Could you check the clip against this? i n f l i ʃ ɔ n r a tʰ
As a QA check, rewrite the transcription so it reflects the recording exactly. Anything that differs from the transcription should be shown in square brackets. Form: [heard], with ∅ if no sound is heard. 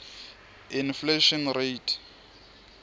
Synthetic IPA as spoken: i n f l [e] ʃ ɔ n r [e] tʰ